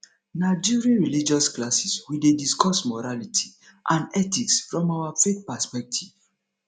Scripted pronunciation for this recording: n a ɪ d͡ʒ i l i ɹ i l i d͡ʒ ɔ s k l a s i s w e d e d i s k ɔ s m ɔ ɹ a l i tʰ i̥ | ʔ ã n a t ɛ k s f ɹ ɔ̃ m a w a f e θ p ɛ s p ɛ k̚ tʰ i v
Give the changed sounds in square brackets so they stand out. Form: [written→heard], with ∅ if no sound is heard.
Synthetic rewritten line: n a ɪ d͡ʒ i [l→ɹ] i ɹ i l i d͡ʒ ɔ s k l a s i s w [e→i] d e d i s k ɔ s m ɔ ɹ a l i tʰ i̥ | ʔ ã n [a→ɛ] t [ɛ→i] k s f ɹ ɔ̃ m a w a f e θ p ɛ s p ɛ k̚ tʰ i v